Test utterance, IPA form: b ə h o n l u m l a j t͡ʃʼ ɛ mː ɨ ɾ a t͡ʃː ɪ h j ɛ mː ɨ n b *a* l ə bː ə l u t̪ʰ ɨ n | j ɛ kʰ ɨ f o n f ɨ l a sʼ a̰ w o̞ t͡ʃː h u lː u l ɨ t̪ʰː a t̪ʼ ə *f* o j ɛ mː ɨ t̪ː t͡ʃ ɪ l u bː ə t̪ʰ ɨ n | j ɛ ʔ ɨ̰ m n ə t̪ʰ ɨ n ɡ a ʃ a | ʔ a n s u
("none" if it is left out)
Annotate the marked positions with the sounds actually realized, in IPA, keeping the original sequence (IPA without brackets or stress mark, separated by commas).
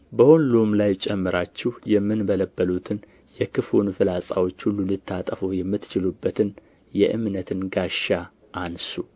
ə, f